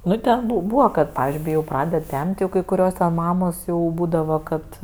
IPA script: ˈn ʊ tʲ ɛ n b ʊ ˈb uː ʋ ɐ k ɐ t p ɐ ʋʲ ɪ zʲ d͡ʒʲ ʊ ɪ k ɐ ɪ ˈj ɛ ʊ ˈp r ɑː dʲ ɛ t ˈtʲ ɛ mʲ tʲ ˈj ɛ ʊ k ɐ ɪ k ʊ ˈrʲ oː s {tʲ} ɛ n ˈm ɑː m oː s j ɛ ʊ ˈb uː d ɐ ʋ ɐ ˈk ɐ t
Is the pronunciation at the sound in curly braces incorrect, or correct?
correct